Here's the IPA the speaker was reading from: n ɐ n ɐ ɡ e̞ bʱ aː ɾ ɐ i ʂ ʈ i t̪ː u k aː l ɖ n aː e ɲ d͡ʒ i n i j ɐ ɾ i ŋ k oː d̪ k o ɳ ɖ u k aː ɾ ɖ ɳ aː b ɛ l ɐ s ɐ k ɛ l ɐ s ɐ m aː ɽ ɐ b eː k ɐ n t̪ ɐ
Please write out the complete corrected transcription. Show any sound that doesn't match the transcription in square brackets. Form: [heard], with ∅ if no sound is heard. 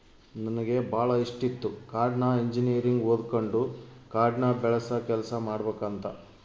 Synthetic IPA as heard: n ɐ n ɐ ɡ e̞ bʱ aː [ɭ] ɐ i ʂ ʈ i t̪ː u k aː [ɾ] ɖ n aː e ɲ d͡ʒ i n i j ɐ ɾ i ŋ [ɡ] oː d̪ k o ɳ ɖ u k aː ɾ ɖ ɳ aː b ɛ [ɭ] ɐ s ɐ k ɛ l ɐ s ɐ m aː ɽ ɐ b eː k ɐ n t̪ ɐ